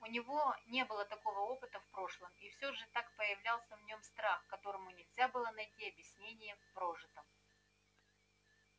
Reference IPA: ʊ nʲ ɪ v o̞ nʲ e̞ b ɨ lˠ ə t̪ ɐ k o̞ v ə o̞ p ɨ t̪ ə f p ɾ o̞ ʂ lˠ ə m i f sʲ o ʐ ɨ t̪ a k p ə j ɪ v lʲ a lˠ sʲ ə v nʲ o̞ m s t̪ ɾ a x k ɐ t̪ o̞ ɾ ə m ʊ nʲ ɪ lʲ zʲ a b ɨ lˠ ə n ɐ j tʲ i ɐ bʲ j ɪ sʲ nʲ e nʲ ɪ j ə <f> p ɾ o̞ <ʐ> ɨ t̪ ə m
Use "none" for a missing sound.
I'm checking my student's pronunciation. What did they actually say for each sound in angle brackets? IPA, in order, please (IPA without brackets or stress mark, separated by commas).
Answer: f, ʐ